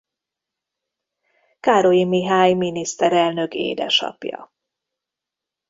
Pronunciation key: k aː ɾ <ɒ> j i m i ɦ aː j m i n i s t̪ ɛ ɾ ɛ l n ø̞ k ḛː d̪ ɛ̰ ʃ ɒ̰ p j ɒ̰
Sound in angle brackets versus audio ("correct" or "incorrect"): incorrect